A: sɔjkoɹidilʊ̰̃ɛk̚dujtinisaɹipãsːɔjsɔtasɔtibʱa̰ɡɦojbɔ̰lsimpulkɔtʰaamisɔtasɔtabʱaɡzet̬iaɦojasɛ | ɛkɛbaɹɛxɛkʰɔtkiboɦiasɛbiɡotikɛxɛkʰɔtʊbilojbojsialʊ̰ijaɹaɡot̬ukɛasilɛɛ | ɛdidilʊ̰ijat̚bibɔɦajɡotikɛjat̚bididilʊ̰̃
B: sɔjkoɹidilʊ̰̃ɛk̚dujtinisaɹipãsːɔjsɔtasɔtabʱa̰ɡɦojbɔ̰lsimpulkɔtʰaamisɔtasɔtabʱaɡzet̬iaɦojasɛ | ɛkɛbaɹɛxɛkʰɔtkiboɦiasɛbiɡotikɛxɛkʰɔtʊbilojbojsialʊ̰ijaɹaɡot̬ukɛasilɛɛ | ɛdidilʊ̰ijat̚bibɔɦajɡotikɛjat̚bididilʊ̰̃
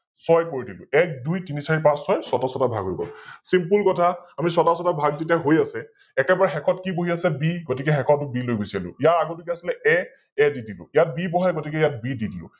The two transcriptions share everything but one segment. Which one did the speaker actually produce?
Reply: B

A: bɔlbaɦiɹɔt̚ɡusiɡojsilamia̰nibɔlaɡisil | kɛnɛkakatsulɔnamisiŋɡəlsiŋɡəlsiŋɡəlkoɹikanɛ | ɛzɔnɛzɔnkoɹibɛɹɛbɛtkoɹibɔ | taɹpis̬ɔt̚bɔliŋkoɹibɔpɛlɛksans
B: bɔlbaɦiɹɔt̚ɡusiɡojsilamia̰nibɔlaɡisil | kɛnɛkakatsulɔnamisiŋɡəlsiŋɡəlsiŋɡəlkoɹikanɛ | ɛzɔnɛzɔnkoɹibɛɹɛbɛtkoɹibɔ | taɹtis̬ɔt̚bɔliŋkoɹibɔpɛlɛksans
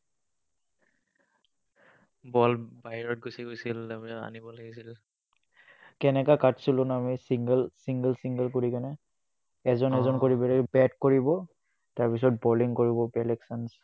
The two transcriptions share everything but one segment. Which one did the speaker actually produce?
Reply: A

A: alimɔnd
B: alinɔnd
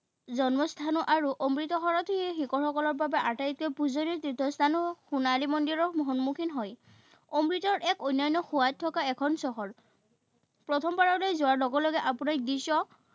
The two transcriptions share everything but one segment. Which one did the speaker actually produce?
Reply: A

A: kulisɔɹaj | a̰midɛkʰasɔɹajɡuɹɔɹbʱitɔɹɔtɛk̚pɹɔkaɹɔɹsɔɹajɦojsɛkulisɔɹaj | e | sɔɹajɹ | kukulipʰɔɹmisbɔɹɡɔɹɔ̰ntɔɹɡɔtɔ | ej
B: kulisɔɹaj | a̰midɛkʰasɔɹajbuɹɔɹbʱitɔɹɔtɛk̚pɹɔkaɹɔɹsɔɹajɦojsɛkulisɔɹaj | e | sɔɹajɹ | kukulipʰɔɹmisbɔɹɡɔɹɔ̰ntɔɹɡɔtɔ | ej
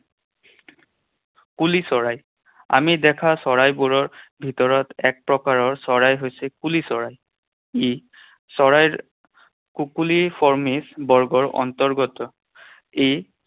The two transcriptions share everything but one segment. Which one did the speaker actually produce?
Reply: B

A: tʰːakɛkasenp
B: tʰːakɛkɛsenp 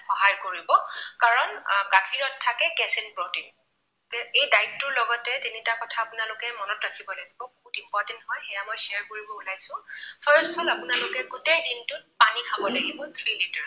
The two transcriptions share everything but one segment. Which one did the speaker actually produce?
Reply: B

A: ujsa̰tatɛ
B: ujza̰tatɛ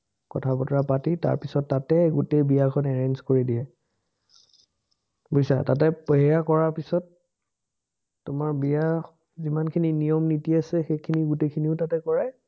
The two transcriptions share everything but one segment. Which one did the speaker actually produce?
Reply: A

